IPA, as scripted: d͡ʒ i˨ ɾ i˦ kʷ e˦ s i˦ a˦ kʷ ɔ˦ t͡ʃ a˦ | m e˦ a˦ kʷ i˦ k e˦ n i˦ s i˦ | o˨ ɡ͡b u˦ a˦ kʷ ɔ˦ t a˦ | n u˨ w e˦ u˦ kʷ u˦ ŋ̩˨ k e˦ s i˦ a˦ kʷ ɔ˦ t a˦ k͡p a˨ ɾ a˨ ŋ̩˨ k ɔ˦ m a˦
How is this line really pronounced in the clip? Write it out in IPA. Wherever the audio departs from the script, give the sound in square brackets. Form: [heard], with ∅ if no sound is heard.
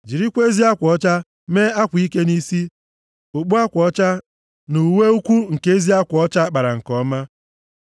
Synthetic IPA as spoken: d͡ʒ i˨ ɾ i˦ kʷ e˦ [z] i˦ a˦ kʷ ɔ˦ t͡ʃ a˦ | m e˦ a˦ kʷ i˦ k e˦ n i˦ s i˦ | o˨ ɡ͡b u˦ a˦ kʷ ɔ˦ [t͡ʃ] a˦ | n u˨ w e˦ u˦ kʷ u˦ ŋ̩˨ k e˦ [z] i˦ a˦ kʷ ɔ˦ [t͡ʃ] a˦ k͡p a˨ ɾ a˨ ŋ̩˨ k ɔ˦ m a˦